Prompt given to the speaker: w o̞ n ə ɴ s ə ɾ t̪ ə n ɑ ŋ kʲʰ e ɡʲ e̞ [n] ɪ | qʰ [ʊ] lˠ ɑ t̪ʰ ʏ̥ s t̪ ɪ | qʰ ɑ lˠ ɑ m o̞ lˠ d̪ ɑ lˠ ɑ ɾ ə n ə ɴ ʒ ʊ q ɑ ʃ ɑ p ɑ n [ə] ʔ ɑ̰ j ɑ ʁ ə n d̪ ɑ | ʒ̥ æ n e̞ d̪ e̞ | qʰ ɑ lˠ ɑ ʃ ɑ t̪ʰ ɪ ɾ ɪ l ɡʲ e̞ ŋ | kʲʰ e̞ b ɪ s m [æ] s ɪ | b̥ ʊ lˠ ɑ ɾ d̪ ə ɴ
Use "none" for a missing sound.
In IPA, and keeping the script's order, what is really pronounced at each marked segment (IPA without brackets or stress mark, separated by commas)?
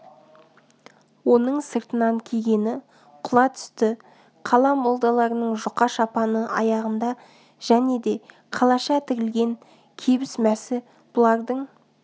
n, ʊ, ə, æ